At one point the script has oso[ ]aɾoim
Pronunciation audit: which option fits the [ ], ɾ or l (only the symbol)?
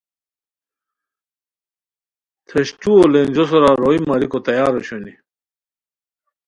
ɾ